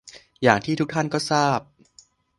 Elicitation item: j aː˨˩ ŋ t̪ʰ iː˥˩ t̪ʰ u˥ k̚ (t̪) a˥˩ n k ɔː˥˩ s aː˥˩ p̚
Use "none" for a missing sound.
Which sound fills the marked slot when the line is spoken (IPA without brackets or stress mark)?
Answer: t̪ʰ